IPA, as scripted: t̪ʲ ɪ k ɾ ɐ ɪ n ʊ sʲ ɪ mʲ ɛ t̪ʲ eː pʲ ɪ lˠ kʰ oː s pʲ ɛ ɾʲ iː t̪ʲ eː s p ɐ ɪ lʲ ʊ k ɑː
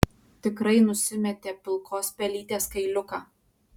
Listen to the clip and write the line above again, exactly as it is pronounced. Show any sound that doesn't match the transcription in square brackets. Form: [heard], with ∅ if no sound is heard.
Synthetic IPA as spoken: t̪ʲ ɪ k ɾ ɐ ɪ n ʊ sʲ ɪ mʲ ɛ t̪ʲ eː pʲ ɪ lˠ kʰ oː s pʲ ɛ [lʲ] iː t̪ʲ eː s [k] ɐ ɪ lʲ ʊ k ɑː

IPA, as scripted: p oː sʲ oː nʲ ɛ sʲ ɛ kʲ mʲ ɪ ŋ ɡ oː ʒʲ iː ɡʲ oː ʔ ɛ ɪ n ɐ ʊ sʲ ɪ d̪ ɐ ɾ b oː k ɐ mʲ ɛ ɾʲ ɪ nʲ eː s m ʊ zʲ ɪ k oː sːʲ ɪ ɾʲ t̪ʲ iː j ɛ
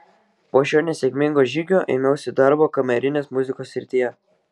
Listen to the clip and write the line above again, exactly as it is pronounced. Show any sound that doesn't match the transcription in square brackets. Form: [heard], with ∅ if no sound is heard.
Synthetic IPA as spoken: p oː [ʃʲ] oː nʲ ɛ sʲ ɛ kʲ mʲ ɪ ŋ ɡ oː ʒʲ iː ɡʲ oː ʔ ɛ ɪ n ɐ ʊ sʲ ɪ d̪ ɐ ɾ b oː k ɐ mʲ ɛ ɾʲ ɪ nʲ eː s m ʊ zʲ ɪ k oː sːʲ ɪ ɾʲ t̪ʲ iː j ɛ

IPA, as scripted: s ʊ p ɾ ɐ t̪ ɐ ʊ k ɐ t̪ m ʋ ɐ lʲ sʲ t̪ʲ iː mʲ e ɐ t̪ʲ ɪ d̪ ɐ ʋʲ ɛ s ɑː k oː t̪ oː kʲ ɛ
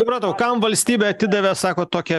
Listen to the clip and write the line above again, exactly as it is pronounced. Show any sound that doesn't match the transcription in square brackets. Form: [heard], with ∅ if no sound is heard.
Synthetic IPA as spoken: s ʊ p ɾ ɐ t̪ ɐ ʊ k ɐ [∅] m ʋ ɐ lʲ sʲ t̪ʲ iː [bʲ] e ɐ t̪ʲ ɪ d̪ ɐ ʋʲ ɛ s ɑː k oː t̪ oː kʲ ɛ

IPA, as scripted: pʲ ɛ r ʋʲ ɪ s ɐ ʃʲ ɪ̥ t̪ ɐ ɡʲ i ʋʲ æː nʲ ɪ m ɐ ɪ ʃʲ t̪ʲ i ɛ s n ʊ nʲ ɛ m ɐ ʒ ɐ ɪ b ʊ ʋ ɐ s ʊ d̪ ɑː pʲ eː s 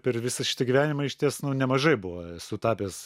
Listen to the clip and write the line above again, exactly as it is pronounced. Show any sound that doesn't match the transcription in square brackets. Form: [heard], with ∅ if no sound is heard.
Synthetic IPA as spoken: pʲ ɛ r ʋʲ ɪ s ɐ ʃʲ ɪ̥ t̪ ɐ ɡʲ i ʋʲ æː nʲ ɪ m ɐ ɪ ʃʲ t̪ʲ i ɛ s n ʊ nʲ ɛ m ɐ ʒ ɐ ɪ b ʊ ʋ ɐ s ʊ [t̪] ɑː pʲ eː s

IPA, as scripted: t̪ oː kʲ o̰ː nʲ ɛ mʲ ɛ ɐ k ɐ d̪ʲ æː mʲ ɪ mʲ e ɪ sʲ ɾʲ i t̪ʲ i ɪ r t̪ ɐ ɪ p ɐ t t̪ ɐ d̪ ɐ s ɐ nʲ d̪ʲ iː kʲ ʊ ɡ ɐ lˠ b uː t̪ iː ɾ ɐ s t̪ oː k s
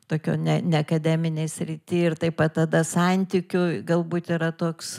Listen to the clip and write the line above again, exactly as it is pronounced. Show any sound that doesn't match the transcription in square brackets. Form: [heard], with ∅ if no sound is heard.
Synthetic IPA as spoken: t̪ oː kʲ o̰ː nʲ ɛ [nʲ] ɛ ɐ k ɐ d̪ʲ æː mʲ ɪ [nʲ] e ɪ sʲ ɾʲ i t̪ʲ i ɪ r t̪ ɐ ɪ p ɐ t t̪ ɐ d̪ ɐ s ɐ nʲ [t̪ʲ] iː kʲ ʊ ɡ ɐ lˠ b uː t̪ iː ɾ ɐ [∅] t̪ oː k s

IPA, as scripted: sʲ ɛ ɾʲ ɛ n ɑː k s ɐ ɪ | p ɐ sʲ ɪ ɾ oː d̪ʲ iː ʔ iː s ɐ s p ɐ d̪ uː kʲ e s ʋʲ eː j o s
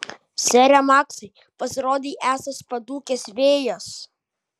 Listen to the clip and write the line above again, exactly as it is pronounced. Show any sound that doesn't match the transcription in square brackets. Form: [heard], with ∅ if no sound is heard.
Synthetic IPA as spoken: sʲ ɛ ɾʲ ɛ [m] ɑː k s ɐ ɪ | p ɐ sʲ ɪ ɾ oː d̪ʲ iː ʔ [æː] s ɐ s p ɐ d̪ uː kʲ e s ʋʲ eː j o s

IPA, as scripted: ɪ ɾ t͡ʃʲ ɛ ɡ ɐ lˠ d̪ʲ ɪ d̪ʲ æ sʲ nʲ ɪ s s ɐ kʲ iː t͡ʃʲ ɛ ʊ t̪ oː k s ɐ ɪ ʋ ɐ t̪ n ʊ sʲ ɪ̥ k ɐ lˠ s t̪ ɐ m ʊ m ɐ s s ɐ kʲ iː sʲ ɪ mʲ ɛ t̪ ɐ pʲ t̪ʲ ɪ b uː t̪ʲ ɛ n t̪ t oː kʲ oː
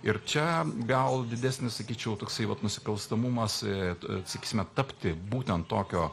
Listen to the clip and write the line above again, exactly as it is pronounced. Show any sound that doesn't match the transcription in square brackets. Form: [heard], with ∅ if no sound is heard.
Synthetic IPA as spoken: ɪ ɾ t͡ʃʲ ɛ ɡ ɐ lˠ d̪ʲ ɪ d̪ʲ æ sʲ nʲ ɪ s s ɐ kʲ iː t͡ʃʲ ɛ ʊ t̪ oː k s ɐ ɪ ʋ ɐ t̪ n ʊ sʲ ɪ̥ k ɐ lˠ s t̪ ɐ m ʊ m ɐ s s ɐ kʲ iː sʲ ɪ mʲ ɛ t̪ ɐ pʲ t̪ʲ ɪ b uː t̪ʲ ɛ n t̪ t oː kʲ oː

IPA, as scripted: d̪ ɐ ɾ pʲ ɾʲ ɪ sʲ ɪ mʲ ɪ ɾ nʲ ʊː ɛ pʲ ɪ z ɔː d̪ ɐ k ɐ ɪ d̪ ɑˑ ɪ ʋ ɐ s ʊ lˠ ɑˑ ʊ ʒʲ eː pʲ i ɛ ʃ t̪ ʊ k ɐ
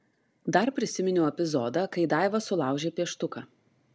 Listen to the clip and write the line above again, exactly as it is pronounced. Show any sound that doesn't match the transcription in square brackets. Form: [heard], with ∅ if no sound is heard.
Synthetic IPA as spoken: d̪ ɐ ɾ pʲ ɾʲ ɪ sʲ ɪ mʲ ɪ [∅] nʲ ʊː ɛ pʲ ɪ z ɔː d̪ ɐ k ɐ ɪ d̪ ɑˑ ɪ ʋ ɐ s ʊ lˠ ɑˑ ʊ ʒʲ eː pʲ i ɛ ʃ t̪ ʊ k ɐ

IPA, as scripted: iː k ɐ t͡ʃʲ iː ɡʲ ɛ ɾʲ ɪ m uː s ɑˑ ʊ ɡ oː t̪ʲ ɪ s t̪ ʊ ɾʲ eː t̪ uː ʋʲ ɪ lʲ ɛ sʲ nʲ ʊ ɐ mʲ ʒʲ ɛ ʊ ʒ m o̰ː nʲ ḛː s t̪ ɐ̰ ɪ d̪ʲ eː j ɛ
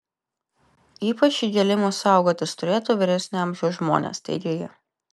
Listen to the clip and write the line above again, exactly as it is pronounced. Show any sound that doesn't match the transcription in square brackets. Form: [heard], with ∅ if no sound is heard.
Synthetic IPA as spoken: iː [p] ɐ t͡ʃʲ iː ɡʲ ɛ [lʲ] ɪ m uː s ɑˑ ʊ ɡ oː t̪ʲ ɪ s t̪ ʊ ɾʲ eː t̪ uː ʋʲ ɪ [ɾʲ] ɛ sʲ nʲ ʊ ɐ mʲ ʒʲ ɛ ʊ ʒ m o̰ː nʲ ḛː s t̪ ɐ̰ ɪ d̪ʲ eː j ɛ

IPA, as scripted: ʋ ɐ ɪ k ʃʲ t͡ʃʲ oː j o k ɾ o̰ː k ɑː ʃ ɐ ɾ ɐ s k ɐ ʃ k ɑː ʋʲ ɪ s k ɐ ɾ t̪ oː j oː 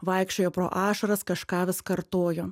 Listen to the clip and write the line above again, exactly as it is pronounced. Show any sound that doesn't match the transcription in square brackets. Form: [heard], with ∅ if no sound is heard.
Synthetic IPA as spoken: ʋ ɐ ɪ k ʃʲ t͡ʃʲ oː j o [p] ɾ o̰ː [ʔ] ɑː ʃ ɐ ɾ ɐ s k ɐ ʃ k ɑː ʋʲ ɪ s k ɐ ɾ t̪ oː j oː

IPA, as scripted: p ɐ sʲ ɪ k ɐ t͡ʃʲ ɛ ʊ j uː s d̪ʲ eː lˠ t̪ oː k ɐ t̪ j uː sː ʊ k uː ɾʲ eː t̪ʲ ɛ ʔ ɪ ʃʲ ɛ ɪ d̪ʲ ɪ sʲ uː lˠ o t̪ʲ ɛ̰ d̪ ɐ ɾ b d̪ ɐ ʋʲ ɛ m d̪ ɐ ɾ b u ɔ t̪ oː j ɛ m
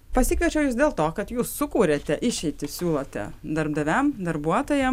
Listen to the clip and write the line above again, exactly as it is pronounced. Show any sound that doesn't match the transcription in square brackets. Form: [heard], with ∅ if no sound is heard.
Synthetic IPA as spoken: p ɐ sʲ ɪ k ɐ t͡ʃʲ ɛ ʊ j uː s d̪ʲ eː lˠ t̪ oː k ɐ t̪ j uː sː ʊ k uː ɾʲ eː t̪ʲ ɛ ʔ ɪ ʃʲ ɛ ɪ [t̪ʲ] ɪ sʲ uː lˠ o t̪ʲ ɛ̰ d̪ ɐ ɾ b d̪ ɐ ʋʲ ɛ m d̪ ɐ ɾ b u ɔ t̪ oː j ɛ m

